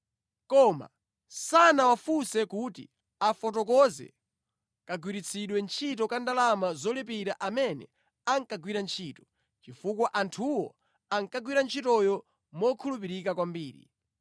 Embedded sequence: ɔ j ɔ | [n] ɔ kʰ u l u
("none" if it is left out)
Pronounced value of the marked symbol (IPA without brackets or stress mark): m